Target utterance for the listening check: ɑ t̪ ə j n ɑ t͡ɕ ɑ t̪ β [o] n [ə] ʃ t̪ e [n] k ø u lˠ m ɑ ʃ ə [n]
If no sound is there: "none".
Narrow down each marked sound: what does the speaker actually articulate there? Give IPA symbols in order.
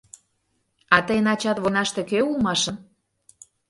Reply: o, ɑ, none, n

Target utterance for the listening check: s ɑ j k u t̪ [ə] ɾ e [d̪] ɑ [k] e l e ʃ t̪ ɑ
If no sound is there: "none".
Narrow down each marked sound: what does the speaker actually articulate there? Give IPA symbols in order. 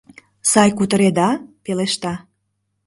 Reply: ə, d̪, p

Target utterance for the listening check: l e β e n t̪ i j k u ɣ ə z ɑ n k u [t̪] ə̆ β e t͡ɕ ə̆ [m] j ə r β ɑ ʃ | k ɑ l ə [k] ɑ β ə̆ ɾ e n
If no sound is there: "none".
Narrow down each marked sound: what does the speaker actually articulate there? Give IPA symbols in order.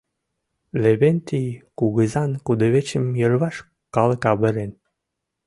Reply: d̪, m, k

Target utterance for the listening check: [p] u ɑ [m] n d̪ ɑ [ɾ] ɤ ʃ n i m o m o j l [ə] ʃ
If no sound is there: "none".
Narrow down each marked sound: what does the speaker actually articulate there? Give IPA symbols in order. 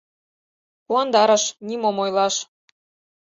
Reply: p, none, ɾ, ɑ

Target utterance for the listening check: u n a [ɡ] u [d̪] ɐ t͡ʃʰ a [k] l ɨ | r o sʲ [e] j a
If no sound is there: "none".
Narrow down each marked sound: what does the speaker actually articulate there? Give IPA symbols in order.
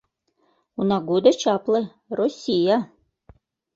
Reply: ɡ, d̪, p, i

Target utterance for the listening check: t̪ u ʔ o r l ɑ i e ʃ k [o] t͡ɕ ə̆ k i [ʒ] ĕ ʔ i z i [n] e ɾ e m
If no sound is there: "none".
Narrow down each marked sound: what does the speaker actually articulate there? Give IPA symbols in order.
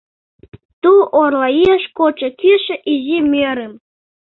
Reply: o, ʃ, m

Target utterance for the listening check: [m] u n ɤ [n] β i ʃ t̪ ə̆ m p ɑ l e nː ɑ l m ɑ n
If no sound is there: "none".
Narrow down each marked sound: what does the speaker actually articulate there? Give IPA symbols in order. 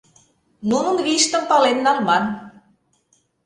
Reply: n, n

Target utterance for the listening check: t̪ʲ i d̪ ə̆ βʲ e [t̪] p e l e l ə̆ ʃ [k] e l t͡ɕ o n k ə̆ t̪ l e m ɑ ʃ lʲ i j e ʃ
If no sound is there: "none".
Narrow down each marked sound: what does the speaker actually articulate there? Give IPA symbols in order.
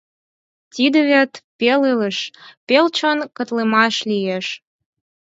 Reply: t̪, p

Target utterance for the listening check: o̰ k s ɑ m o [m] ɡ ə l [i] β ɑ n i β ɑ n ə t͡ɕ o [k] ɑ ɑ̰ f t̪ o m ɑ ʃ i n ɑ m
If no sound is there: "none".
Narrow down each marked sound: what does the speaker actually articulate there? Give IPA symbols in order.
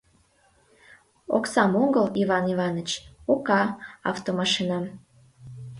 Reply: ŋ, i, k

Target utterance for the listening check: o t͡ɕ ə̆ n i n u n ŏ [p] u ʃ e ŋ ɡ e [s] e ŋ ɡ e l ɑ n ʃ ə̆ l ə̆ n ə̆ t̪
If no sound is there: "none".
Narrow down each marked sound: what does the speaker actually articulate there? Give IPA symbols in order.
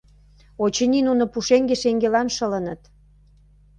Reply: p, ʃ

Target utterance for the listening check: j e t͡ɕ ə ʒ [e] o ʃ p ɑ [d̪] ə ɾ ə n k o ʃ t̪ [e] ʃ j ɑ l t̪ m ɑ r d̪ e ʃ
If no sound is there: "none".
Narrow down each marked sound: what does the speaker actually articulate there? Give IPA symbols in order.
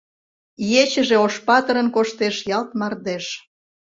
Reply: e, t̪, e

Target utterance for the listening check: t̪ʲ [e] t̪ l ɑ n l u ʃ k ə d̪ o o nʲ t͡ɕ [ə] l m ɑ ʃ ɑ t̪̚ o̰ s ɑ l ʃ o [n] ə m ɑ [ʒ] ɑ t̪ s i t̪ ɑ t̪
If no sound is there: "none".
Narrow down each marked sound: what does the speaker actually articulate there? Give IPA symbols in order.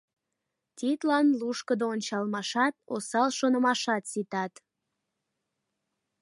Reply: i, ɑ, n, ʃ

